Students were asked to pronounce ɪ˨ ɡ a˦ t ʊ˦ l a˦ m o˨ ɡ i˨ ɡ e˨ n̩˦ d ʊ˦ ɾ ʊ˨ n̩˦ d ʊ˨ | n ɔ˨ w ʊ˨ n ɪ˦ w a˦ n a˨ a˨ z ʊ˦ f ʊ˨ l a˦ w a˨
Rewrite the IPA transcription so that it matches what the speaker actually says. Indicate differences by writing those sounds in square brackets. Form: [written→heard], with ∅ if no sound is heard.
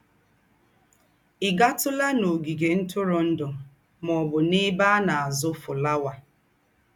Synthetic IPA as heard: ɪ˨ ɡ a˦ t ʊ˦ l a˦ [m→n] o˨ ɡ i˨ ɡ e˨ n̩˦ [d→t] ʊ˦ ɾ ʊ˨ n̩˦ d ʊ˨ | [n→m] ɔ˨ [w→b] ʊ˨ n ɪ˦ [w→b] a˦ n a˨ a˨ z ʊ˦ f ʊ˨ l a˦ w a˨